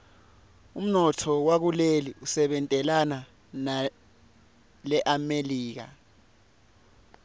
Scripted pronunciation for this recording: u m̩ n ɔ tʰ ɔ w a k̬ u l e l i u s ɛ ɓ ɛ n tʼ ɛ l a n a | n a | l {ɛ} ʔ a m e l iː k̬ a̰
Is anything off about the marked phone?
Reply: no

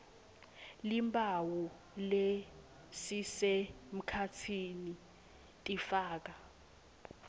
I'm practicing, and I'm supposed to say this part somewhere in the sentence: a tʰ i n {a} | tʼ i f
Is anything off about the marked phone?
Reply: yes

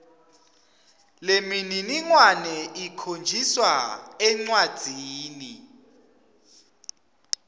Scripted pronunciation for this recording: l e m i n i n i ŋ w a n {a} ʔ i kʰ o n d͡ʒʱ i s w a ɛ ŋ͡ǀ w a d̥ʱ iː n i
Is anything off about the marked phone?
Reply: yes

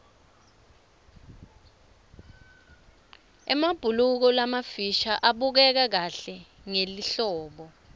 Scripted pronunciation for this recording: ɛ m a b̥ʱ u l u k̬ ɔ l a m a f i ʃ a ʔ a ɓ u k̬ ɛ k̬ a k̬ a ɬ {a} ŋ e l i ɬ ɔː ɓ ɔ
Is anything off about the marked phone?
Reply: yes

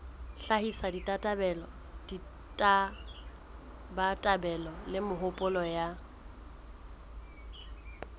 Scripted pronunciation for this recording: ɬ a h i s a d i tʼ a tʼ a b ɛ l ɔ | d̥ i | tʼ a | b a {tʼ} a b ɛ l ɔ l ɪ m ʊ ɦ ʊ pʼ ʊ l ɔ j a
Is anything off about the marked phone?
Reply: no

